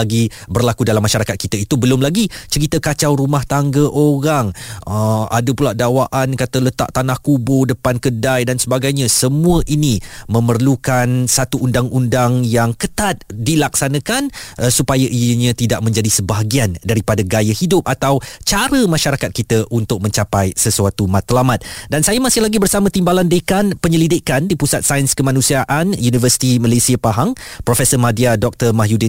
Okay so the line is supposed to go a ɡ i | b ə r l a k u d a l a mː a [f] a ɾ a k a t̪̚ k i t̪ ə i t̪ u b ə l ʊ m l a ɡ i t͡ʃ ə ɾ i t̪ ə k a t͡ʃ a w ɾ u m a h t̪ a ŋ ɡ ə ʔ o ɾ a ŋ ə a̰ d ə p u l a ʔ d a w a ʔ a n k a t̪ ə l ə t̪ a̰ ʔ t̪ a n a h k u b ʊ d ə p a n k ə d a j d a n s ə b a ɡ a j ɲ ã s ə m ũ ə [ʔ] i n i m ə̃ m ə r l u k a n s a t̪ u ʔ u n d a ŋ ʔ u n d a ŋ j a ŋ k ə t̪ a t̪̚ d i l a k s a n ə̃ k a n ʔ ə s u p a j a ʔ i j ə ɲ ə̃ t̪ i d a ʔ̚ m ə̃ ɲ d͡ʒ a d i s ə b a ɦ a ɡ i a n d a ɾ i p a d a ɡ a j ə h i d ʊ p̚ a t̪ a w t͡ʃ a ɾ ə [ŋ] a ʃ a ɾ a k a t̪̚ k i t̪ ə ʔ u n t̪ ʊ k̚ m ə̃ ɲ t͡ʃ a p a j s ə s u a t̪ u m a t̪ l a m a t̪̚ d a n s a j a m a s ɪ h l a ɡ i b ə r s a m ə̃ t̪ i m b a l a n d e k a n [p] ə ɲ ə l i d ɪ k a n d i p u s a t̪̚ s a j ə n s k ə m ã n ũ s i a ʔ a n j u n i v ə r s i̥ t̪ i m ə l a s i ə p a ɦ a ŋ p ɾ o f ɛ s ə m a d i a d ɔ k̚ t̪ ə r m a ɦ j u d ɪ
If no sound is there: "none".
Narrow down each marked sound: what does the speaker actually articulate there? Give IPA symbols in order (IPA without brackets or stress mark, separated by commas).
ʃ, ʔ, m, p